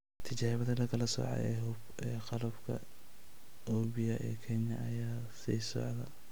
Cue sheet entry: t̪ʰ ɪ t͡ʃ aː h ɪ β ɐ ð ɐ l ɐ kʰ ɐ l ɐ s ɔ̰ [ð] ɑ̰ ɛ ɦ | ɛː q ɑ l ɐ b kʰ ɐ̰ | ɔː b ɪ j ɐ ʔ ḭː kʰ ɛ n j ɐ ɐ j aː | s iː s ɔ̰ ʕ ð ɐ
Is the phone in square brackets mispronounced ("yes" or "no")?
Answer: yes